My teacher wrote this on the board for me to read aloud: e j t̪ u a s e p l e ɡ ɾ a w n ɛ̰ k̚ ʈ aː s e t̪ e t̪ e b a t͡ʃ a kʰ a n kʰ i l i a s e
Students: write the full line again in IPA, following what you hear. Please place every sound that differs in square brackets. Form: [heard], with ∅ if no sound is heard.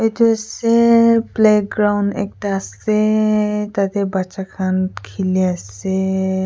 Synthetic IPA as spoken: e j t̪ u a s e p l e ɡ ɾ a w n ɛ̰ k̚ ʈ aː s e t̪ [a] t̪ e b a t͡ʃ a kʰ a n kʰ i l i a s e